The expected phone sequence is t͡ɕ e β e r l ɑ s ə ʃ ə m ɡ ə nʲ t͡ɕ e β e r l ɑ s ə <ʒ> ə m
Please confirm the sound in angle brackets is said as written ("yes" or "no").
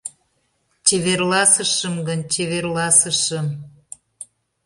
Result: no